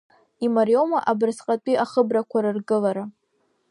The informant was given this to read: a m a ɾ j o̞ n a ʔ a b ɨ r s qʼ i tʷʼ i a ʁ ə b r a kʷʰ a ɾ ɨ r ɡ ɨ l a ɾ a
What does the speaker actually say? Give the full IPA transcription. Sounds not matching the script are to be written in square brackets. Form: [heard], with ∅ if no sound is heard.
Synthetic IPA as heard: [i] m a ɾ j o̞ [m] a ʔ a b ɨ r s qʼ [a] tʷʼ i a [χ] ə b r a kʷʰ a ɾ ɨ r ɡ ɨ l a ɾ a